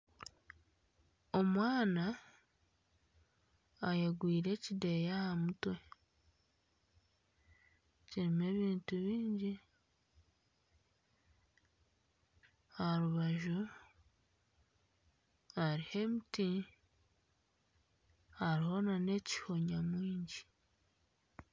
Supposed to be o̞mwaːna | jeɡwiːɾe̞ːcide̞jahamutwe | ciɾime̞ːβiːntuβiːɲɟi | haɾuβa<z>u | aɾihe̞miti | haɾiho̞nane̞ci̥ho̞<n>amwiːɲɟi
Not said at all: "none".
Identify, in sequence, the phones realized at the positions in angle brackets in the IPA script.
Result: ʒ, ɲ

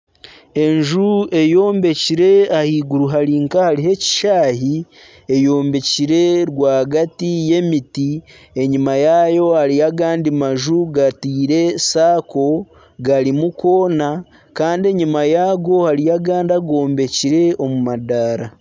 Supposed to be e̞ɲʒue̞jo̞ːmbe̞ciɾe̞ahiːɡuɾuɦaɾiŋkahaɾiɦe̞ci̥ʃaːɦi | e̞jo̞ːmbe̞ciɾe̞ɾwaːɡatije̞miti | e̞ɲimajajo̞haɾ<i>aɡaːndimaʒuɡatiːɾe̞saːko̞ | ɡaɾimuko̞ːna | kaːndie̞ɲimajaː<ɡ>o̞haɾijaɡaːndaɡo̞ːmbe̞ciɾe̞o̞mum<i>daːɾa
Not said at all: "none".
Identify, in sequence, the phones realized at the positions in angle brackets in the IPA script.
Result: i, ɡ, a

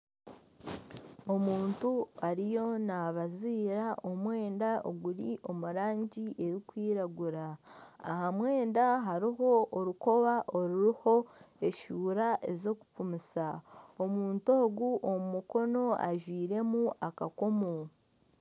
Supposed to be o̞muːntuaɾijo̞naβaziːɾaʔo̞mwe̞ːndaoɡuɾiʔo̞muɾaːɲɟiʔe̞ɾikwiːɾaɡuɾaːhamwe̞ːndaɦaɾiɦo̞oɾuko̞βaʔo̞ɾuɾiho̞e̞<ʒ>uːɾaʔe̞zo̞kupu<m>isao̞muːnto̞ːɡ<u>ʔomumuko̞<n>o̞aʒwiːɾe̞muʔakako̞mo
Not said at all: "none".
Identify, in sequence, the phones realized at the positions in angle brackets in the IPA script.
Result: ʃ, m, u, n

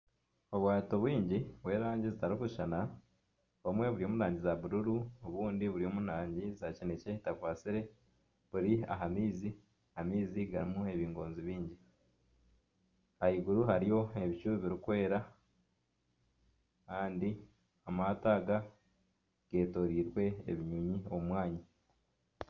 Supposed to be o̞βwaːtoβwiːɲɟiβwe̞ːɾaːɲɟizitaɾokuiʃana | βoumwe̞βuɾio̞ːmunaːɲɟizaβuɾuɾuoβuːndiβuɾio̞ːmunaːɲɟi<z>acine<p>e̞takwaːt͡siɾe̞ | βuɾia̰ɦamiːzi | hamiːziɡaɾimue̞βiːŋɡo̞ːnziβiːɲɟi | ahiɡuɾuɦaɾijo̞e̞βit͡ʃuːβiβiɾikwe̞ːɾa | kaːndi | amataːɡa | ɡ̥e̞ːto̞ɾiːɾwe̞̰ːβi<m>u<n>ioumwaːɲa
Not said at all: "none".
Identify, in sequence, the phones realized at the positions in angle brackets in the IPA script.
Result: z, c, ɲ, ɲ

